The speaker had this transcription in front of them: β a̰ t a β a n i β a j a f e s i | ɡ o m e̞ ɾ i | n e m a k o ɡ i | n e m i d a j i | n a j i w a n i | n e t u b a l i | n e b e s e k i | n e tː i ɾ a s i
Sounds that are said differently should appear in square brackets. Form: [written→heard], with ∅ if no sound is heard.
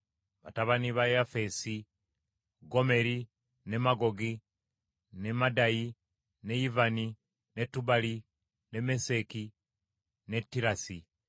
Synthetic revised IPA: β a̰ t a β a n i β a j a f e s i | ɡ o m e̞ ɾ i | n e m a [k→ɡ] o ɡ i | n e m [i→a] d a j i | n [a→e] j i [w→v] a n i | n e t u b a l i | n e [b→m] e s e k i | n e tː i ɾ a s i